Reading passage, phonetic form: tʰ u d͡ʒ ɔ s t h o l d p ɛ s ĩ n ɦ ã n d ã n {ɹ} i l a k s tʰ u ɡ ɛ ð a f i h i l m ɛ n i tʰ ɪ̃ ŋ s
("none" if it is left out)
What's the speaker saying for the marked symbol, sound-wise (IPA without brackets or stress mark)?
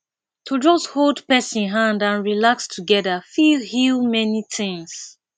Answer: ɹ